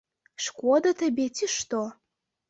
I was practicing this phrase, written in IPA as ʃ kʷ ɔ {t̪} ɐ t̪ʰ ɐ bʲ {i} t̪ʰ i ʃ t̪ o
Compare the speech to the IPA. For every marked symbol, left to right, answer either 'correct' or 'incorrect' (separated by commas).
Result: incorrect, incorrect